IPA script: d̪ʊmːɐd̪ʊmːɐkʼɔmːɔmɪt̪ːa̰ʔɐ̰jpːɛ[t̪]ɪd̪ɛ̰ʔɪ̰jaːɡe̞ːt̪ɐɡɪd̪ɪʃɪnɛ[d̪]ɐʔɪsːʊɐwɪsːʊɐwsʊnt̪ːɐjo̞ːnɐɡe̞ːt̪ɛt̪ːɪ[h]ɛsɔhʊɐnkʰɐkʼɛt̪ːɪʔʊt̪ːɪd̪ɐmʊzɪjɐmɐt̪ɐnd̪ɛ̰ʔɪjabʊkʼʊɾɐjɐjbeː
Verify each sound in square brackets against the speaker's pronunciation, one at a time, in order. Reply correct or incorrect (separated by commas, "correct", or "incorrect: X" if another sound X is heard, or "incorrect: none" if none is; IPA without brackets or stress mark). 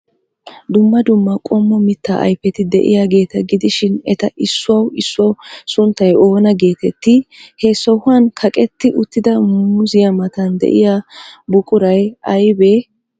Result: correct, incorrect: t̪, correct